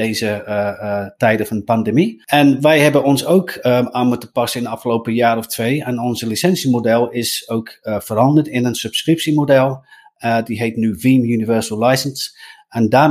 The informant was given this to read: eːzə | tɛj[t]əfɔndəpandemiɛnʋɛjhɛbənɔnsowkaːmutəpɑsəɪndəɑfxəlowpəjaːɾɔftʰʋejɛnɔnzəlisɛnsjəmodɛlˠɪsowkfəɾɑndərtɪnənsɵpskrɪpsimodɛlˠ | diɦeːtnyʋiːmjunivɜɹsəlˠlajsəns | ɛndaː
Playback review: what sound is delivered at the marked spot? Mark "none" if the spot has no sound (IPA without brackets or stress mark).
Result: d